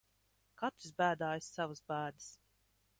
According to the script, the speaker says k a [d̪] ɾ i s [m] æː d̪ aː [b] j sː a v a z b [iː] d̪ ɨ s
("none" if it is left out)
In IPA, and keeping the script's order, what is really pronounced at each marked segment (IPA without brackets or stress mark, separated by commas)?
t̪, b, none, æː